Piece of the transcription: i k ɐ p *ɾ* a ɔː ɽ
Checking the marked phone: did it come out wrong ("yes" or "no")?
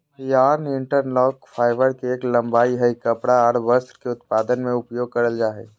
yes